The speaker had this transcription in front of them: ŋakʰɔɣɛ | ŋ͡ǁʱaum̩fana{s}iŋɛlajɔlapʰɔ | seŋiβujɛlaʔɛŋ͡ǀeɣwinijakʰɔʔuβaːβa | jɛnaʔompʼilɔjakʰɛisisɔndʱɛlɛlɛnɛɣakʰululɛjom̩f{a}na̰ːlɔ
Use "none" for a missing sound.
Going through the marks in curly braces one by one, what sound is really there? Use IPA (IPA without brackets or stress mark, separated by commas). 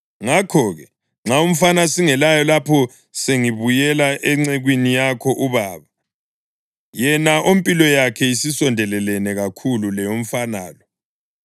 s, a